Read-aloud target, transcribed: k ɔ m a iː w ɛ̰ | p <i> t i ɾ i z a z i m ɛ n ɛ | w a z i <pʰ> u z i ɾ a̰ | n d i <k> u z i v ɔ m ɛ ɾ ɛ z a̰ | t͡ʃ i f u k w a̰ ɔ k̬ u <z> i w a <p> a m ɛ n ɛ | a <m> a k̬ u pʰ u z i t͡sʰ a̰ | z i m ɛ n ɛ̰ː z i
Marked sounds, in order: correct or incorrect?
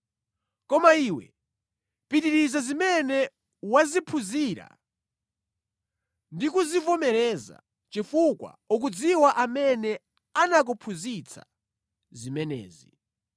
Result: correct, correct, correct, incorrect, incorrect, incorrect

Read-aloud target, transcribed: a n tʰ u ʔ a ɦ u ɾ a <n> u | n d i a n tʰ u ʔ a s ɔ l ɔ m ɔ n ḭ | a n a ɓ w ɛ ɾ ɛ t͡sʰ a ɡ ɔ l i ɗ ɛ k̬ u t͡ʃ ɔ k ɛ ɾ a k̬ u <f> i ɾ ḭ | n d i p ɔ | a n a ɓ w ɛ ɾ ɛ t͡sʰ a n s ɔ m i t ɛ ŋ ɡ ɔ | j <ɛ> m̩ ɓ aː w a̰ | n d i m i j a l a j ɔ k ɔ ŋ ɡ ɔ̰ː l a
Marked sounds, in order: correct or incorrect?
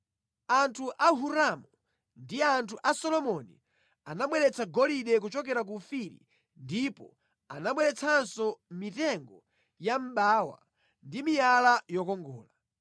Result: incorrect, correct, incorrect

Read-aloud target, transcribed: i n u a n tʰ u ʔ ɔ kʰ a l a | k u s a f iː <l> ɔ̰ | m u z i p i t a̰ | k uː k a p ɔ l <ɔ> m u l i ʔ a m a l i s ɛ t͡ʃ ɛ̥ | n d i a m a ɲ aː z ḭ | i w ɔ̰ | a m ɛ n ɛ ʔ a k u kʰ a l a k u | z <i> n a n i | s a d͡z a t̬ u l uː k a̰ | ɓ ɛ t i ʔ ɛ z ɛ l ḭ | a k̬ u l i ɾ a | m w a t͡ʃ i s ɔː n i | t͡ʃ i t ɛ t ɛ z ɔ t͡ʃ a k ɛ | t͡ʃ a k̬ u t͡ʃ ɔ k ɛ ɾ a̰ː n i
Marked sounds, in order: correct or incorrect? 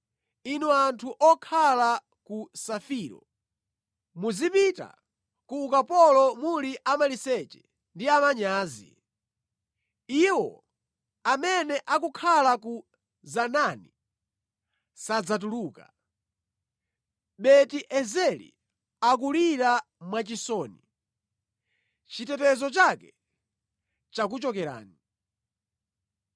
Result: incorrect, correct, incorrect

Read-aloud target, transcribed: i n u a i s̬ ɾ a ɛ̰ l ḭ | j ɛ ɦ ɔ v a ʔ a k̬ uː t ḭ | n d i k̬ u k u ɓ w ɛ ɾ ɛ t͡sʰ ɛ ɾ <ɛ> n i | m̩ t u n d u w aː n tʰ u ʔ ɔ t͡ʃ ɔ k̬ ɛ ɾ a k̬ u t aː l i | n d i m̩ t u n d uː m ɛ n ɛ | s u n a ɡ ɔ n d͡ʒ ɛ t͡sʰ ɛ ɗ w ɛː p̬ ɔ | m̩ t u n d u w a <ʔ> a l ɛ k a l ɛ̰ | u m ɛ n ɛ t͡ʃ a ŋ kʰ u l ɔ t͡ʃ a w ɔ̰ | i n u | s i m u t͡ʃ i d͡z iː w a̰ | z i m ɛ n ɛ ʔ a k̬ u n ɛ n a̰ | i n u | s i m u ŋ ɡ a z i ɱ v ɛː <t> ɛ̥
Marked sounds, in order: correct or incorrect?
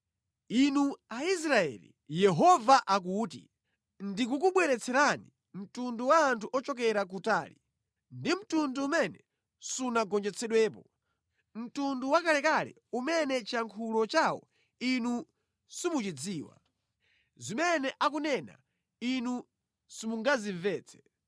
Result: incorrect, incorrect, incorrect

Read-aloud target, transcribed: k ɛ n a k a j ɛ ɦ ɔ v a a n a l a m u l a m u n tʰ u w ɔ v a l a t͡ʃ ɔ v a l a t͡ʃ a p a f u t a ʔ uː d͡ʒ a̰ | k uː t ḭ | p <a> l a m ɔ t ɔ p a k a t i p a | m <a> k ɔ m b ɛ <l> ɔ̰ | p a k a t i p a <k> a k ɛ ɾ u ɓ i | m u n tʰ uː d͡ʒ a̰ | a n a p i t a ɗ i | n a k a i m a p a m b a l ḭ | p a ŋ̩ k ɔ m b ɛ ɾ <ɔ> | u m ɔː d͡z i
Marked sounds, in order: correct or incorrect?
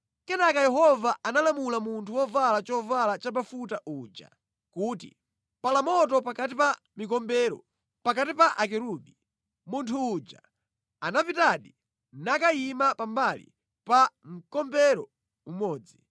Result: correct, incorrect, incorrect, incorrect, correct

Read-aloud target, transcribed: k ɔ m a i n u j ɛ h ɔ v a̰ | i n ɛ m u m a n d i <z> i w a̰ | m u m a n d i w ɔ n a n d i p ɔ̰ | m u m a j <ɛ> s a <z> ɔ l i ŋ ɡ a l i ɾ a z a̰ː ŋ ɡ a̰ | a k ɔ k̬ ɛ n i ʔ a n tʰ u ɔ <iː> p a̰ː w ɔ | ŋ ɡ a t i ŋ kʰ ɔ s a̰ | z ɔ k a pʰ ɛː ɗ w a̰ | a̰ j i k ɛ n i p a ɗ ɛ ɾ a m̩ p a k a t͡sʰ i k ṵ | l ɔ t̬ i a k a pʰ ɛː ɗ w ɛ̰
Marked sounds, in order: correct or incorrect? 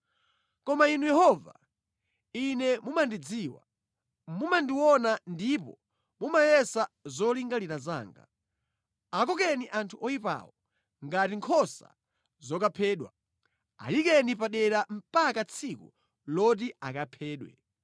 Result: incorrect, correct, correct, incorrect

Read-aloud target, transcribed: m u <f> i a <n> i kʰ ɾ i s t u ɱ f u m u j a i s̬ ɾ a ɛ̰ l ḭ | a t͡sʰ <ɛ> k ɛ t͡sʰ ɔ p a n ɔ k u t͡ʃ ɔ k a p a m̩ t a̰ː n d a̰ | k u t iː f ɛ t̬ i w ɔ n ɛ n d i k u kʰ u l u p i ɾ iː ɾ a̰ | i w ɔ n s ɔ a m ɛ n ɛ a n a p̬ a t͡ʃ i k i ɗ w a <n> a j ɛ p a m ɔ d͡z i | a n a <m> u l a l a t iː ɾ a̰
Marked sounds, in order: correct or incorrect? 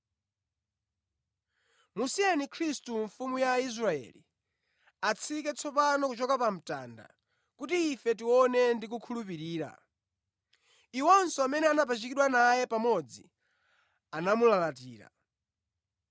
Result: incorrect, correct, incorrect, correct, correct

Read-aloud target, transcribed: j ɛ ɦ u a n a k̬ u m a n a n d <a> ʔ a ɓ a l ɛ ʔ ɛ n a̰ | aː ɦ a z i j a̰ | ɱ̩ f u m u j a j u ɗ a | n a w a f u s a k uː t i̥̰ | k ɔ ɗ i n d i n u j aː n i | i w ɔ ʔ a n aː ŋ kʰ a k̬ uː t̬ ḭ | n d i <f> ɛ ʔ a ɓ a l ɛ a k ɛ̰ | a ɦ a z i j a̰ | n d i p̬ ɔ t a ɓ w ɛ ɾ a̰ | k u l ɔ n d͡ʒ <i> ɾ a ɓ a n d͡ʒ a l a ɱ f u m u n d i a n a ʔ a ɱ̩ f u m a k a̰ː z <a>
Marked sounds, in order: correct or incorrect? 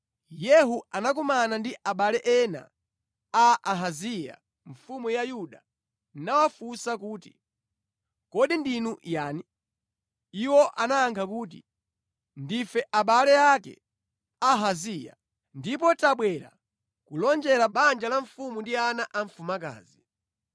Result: incorrect, correct, incorrect, incorrect

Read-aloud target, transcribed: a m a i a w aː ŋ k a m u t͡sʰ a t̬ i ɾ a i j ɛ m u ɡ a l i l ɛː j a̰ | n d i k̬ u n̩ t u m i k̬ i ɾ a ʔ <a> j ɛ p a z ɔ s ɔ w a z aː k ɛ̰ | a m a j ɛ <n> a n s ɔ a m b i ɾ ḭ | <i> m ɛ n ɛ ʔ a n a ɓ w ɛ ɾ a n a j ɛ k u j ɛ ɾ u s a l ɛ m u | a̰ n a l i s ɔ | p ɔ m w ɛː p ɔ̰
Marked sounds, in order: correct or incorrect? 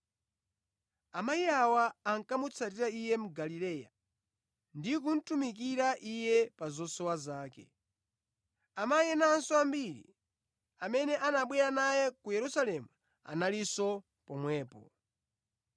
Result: incorrect, correct, incorrect

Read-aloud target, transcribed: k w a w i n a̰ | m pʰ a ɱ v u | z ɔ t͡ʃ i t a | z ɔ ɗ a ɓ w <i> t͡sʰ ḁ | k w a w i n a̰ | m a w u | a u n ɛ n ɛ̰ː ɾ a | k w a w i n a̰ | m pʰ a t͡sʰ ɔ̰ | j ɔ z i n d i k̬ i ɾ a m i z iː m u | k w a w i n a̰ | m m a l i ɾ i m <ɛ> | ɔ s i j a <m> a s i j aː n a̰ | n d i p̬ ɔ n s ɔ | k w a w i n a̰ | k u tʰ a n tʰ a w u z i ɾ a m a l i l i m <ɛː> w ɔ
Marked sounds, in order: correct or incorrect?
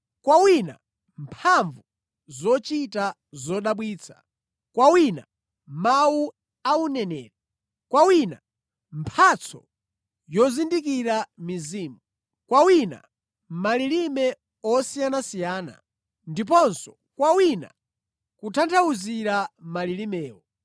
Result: incorrect, correct, incorrect, correct

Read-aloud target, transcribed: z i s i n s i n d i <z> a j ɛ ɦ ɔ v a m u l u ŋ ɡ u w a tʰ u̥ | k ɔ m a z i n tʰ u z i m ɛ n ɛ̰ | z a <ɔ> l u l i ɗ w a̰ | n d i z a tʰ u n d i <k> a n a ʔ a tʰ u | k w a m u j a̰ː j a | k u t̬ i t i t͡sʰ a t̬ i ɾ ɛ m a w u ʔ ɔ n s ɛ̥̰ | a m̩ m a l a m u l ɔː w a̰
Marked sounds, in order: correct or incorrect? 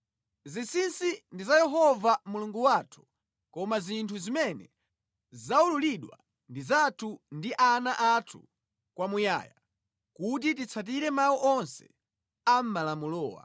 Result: correct, incorrect, incorrect

